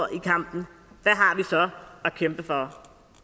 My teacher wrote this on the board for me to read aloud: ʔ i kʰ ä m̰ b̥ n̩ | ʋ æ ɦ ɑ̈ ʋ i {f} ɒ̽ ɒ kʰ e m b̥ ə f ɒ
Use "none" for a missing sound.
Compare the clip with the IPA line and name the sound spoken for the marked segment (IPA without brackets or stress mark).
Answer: s